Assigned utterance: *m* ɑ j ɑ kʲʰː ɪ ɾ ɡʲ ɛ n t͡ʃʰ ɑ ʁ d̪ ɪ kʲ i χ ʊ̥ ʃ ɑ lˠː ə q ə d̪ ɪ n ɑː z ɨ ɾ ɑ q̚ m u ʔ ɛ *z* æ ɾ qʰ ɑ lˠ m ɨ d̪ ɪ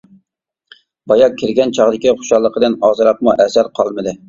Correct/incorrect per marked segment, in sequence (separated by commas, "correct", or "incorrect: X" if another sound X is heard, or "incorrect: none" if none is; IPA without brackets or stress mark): incorrect: b, incorrect: s